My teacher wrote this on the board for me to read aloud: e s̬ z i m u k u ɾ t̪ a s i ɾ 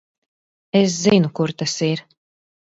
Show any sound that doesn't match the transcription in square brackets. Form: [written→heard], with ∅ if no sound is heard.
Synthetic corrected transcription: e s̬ z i [m→n] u k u ɾ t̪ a s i ɾ